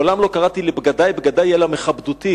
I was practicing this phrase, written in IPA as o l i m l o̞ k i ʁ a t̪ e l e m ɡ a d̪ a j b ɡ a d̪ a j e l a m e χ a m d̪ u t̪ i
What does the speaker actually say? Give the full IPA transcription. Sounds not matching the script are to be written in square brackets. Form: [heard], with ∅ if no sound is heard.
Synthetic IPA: o l [a] m l o̞ k [a] ʁ a t̪ [i] l e [b] ɡ a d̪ a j b ɡ a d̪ a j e l a m e χ a [b] d̪ u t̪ i